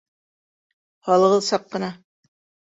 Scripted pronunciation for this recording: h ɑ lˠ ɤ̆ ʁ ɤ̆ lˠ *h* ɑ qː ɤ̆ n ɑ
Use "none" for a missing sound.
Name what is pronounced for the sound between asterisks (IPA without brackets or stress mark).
s